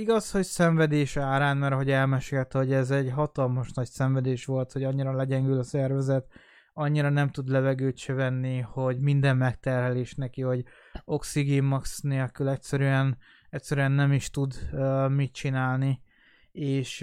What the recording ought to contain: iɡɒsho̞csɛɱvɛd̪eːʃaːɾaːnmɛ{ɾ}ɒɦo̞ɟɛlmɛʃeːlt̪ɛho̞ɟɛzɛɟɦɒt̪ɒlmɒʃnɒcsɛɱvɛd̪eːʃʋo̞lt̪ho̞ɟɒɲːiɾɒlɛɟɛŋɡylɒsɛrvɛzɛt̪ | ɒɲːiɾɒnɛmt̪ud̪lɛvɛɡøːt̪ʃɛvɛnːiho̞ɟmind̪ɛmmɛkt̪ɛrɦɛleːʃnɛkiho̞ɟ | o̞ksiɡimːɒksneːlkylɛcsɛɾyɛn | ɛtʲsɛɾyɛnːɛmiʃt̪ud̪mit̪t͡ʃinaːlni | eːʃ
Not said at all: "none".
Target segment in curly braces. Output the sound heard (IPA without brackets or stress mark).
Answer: ɾ